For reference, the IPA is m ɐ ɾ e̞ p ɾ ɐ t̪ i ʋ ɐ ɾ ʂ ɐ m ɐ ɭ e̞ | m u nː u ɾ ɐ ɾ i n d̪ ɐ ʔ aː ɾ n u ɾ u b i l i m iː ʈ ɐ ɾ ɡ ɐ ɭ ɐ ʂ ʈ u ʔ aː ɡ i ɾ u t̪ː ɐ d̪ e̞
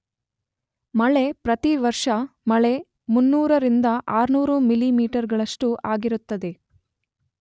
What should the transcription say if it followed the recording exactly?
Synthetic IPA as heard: m ɐ ɭ e̞ p ɾ ɐ t̪ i ʋ ɐ ɾ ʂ ɐ m ɐ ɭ e̞ | m u nː uː ɾ ɐ ɾ i n d̪ ɐ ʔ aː ɾ n uː ɾ u m i l i m iː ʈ ɐ ɾ ɡ ɐ ɭ ɐ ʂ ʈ u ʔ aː ɡ i ɾ u t̪ː ɐ d̪ e̞